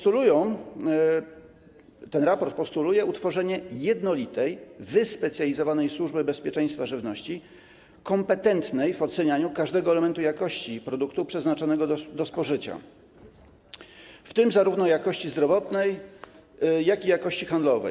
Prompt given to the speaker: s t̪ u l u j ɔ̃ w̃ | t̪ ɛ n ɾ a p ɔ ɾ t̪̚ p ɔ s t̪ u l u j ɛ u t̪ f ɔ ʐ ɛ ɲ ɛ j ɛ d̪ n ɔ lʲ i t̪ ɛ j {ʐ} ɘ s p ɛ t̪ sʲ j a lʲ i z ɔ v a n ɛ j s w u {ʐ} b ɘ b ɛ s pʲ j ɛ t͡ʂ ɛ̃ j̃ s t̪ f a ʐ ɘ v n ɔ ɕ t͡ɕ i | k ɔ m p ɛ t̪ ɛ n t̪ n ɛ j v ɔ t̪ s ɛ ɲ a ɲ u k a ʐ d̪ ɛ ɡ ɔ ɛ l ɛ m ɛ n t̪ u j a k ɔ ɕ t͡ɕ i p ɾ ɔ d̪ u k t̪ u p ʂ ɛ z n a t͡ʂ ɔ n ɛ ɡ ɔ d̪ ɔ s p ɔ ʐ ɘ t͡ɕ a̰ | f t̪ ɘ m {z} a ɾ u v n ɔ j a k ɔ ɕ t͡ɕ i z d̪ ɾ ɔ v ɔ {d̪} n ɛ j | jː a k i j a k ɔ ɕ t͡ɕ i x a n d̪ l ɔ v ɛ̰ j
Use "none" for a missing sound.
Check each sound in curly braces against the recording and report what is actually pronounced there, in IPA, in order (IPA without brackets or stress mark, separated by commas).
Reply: v, ʐ, z, t̪